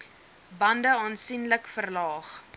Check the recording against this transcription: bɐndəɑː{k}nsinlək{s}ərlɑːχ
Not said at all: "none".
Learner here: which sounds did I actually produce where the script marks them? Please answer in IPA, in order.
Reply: none, f

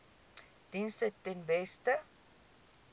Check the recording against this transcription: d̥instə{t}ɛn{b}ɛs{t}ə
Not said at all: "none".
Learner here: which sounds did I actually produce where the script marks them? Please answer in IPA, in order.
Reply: t, v, t

